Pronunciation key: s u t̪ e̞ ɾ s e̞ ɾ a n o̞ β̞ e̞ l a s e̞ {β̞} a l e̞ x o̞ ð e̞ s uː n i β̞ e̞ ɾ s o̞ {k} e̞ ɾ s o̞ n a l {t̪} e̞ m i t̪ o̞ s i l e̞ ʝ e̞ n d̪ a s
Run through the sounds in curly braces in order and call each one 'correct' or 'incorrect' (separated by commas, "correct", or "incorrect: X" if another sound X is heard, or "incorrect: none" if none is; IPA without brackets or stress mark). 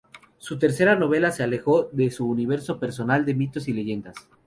incorrect: none, incorrect: p, incorrect: d̪